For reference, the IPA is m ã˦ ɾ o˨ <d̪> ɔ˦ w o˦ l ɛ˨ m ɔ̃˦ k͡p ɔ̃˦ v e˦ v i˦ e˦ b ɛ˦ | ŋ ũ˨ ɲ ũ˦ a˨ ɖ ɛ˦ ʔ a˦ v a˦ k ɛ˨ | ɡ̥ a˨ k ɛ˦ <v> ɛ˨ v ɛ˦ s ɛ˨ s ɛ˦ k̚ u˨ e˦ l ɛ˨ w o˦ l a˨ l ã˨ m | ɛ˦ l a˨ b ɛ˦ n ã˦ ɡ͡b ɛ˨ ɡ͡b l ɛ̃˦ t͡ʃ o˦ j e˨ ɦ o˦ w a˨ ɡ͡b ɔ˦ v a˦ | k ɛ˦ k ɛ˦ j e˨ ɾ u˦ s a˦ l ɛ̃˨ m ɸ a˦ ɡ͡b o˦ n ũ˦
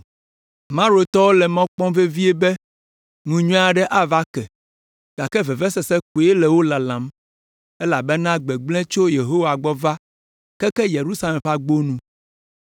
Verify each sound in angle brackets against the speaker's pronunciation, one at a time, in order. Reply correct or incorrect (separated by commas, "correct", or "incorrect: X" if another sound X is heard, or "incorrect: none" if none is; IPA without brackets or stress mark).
incorrect: t̪, correct